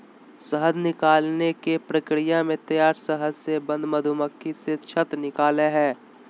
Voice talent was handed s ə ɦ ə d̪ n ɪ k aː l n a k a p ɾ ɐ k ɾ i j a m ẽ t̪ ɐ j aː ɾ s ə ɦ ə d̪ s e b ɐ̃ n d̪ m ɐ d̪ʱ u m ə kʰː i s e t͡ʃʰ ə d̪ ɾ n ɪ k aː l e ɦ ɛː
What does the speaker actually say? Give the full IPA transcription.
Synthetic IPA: s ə ɦ ə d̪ n ɪ k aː l n e k e p ɾ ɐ k ɾ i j a m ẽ t̪ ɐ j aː ɾ s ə ɦ ə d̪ s e b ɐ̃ n d̪ m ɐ d̪ʱ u m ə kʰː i s e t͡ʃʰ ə t̪ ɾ n ɪ k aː l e ɦ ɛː